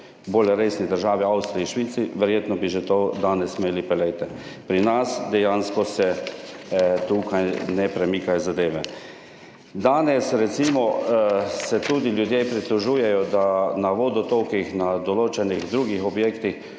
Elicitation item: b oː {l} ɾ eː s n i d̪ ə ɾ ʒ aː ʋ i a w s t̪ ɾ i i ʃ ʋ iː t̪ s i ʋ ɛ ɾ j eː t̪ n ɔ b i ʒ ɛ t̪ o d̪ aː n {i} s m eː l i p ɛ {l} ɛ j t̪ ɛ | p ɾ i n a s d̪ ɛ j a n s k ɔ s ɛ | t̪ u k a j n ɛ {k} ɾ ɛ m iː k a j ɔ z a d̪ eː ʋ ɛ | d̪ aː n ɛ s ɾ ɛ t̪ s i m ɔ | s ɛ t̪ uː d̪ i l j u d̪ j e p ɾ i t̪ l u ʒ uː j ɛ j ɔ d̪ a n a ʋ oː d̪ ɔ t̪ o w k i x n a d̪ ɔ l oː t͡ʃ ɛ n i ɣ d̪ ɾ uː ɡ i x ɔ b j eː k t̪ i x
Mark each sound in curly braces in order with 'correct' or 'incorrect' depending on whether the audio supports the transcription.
correct, incorrect: ɛ, correct, incorrect: p

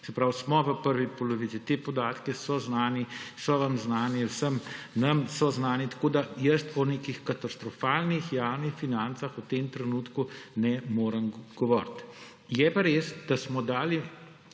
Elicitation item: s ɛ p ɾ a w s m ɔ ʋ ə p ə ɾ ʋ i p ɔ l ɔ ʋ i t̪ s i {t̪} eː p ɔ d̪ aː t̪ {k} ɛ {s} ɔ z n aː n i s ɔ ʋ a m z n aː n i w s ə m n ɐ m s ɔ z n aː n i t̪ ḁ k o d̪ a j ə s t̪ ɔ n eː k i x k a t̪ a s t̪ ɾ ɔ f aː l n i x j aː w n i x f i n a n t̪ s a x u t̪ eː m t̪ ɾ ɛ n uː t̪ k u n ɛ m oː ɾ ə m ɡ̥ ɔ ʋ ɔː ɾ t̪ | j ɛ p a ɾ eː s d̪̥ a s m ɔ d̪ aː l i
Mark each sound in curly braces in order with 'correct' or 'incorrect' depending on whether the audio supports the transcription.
correct, correct, correct

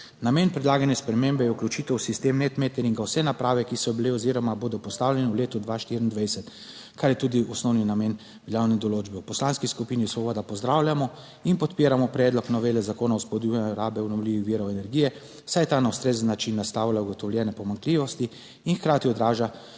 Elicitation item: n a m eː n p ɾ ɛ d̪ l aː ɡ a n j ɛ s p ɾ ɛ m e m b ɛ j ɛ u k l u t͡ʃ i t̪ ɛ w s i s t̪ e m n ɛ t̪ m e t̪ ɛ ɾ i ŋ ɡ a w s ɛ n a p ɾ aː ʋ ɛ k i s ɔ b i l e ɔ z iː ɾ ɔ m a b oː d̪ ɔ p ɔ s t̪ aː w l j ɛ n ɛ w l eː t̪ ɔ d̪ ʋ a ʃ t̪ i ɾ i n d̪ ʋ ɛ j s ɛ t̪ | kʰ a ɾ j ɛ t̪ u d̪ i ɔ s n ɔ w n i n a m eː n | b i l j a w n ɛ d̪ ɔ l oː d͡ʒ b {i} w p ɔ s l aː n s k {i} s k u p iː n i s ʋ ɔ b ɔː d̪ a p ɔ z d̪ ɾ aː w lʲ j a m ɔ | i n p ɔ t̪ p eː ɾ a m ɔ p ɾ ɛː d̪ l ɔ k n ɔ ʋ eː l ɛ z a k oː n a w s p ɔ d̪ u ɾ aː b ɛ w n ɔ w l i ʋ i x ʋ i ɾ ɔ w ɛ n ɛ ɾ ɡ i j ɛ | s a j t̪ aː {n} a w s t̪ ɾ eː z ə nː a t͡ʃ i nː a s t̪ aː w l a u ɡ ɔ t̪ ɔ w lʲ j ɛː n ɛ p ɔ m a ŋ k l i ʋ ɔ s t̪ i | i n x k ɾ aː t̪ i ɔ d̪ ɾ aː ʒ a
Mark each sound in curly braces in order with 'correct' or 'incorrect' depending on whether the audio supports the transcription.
incorrect: ɛ, correct, correct

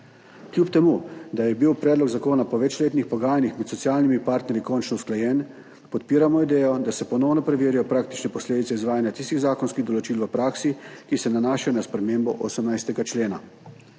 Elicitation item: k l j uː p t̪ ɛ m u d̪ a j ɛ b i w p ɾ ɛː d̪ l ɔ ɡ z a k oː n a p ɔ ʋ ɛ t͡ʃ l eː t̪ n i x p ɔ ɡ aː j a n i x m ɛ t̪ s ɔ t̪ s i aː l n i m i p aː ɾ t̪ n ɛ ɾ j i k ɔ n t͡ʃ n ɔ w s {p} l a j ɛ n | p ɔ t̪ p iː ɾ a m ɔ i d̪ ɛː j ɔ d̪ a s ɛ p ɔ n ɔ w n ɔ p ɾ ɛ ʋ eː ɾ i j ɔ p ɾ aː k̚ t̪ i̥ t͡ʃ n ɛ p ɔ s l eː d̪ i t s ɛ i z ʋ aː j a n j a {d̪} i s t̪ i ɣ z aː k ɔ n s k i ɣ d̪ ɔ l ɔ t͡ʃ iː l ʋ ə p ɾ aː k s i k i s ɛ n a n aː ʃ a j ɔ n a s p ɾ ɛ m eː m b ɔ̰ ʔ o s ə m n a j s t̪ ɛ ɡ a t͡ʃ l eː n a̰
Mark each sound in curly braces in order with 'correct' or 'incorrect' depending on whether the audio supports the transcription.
incorrect: k, incorrect: t̪

